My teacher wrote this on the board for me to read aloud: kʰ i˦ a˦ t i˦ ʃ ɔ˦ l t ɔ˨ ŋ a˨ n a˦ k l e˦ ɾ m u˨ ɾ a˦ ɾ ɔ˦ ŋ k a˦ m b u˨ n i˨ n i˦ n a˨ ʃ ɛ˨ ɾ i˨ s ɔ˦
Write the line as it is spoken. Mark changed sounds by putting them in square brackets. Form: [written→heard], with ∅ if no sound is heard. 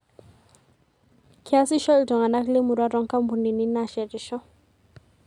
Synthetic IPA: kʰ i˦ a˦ [t→s] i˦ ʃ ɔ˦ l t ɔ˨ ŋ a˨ n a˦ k l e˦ [ɾ→∅] m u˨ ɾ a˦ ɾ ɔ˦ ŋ k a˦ m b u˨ n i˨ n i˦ n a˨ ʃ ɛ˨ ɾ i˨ [s→ʃ] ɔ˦